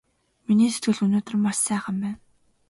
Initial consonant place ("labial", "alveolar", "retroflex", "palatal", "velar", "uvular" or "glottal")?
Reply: labial